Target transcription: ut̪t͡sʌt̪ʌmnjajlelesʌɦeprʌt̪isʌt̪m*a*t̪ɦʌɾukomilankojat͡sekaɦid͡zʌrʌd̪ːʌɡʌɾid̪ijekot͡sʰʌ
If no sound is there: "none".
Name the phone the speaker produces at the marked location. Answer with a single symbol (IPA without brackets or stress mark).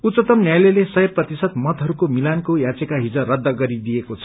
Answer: ʌ